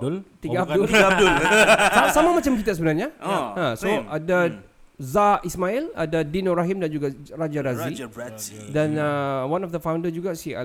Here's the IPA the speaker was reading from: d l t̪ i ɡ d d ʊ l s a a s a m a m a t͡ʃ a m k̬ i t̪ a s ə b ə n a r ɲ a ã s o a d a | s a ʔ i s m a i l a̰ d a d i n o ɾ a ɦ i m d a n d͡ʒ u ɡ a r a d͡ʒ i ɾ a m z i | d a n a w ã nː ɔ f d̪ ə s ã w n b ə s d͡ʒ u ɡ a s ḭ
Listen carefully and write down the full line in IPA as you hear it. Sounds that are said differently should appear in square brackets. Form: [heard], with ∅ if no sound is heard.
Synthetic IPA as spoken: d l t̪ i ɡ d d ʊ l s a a s a m a m a t͡ʃ a m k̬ i t̪ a s ə b ə n a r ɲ a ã s o a d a | [z] a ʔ i s m a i l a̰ d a d i n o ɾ a ɦ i m d a n d͡ʒ u ɡ a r a d͡ʒ [a] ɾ a [∅] z i | d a n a w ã [n] ɔ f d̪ ə [f] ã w n [d] ə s d͡ʒ u ɡ a s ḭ